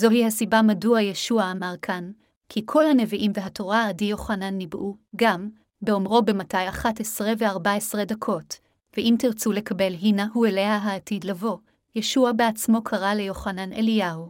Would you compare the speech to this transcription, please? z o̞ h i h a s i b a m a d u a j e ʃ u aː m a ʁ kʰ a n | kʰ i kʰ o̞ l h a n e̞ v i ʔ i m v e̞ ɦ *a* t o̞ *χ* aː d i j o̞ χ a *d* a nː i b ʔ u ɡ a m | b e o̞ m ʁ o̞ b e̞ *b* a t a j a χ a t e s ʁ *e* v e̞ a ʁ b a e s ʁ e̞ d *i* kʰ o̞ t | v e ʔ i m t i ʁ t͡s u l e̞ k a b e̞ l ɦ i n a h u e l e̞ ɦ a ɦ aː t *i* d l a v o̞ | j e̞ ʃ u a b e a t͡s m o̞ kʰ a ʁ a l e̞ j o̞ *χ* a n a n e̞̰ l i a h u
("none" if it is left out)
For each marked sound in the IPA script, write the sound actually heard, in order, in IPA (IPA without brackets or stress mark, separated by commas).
a, ʁ, n, m, e, a, i, χ